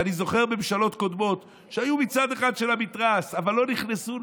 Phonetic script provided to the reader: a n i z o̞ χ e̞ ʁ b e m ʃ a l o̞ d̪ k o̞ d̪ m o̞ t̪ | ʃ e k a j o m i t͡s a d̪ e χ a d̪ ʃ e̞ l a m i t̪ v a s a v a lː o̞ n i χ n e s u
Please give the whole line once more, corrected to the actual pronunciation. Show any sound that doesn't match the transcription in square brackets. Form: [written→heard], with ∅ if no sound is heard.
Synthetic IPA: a n i z o̞ χ e̞ ʁ b e m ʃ a l o̞ [d̪→t̪] k o̞ d̪ m o̞ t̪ | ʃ e [k→∅] a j [o→u] m i t͡s a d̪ e χ a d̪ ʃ e̞ l a m i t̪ [v→ʁ] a s a v a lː o̞ n i χ n e s u